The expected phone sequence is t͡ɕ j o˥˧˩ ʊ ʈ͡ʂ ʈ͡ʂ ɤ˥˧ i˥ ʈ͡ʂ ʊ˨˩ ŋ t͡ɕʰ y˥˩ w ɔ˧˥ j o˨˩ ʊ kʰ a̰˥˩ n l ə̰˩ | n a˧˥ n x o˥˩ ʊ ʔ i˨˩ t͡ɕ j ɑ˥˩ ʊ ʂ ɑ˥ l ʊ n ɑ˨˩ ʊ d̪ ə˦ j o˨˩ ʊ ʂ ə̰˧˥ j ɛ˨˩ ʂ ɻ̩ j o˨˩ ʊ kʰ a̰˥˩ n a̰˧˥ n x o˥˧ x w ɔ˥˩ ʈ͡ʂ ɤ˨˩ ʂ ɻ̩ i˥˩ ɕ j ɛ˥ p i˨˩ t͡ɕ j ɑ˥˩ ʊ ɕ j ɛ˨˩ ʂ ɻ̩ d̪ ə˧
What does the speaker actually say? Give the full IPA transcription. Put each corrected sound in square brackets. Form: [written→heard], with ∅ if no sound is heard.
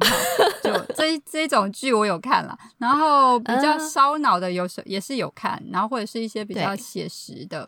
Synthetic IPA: t͡ɕ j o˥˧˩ ʊ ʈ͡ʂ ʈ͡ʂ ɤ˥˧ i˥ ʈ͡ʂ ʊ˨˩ ŋ [t͡ɕʰ→t͡ɕ] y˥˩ w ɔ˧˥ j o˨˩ ʊ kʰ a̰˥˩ n l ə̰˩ | n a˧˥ n x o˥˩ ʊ [ʔ→p] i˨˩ t͡ɕ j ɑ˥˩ ʊ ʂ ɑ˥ [l→∅] ʊ n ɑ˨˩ ʊ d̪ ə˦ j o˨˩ ʊ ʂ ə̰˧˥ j ɛ˨˩ ʂ ɻ̩ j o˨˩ ʊ kʰ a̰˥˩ n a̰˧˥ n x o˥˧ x w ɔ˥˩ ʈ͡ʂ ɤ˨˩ ʂ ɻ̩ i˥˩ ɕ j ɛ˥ p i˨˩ t͡ɕ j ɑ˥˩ ʊ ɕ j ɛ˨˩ ʂ ɻ̩ d̪ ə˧